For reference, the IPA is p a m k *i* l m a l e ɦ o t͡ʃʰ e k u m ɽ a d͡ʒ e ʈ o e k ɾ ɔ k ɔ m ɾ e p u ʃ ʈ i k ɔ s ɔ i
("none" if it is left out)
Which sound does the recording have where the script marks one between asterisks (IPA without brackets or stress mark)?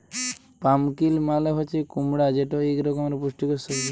i